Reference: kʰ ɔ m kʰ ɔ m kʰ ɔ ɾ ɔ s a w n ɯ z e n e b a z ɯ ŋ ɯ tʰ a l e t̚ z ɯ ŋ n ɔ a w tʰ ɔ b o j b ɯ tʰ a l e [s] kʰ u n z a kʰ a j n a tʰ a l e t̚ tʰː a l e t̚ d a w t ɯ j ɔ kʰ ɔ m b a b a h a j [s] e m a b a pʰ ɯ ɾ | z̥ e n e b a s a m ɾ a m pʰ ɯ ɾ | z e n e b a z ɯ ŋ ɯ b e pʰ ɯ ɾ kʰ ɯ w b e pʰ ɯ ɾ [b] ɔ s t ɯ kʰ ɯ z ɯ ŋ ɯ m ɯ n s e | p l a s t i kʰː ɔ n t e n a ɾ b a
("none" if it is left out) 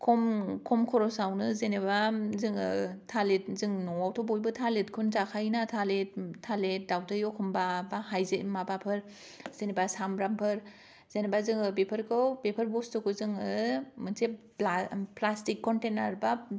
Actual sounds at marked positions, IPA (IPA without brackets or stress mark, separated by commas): t, z, b